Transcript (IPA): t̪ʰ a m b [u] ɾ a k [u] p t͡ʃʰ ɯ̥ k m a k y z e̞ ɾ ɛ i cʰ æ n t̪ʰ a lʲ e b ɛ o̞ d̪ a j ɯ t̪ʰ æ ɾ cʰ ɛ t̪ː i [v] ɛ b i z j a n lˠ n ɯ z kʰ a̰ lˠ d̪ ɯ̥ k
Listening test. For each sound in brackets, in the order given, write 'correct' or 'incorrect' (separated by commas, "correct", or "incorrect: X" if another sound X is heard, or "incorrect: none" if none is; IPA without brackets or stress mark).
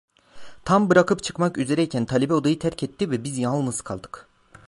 incorrect: ɯ, incorrect: ɯ, correct